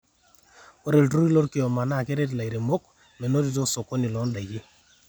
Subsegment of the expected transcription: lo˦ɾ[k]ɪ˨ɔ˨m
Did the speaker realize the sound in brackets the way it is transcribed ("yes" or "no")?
yes